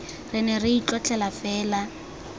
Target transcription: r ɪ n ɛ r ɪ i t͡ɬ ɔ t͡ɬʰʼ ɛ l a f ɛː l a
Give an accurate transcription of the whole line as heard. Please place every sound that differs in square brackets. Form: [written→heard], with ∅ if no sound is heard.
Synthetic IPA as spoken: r ɪ n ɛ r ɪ i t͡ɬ ɔ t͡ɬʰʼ ɛ l a f ɛː l a